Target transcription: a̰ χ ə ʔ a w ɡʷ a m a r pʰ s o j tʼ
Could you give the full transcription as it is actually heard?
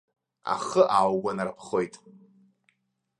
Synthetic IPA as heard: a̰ χ ə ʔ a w ɡʷ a n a r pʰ χ o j tʼ